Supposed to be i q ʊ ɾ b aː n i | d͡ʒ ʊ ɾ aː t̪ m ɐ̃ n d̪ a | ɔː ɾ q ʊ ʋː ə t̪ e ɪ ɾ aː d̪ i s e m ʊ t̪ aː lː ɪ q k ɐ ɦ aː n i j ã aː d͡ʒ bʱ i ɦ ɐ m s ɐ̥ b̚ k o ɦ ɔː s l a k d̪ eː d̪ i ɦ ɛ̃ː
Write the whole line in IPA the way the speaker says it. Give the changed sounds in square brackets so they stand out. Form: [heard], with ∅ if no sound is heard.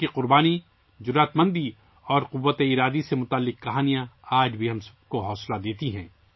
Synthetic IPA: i q ʊ ɾ b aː n i | d͡ʒ ʊ ɾ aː t̪ m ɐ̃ n d̪ [i] | ɔː ɾ q ʊ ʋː ə t̪ e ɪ ɾ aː d̪ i s e m ʊ t̪ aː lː ɪ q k ɐ ɦ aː n i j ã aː d͡ʒ bʱ i ɦ ɐ m s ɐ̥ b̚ k o ɦ ɔː s l a [∅] d̪ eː [t̪] i ɦ ɛ̃ː